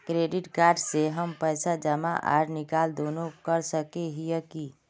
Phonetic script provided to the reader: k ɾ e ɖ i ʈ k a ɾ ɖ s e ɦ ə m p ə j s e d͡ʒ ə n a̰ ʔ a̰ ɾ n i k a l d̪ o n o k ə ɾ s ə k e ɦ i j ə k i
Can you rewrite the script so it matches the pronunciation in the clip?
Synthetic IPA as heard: k ɾ e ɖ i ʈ k a ɾ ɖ s e ɦ ə m p ə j s a d͡ʒ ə m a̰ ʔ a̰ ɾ n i k a l d̪ o n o k ə ɾ s ə k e ɦ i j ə k i